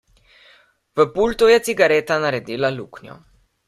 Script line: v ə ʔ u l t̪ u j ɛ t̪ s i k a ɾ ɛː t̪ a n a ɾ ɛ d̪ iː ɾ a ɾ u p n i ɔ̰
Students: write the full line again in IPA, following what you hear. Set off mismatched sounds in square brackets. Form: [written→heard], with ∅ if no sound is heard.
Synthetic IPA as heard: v ə [ʔ→p] u l t̪ u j ɛ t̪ s i [k→ɡ] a ɾ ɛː t̪ a n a ɾ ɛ d̪ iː [ɾ→l] a [ɾ→l] u [p→k] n [i→j] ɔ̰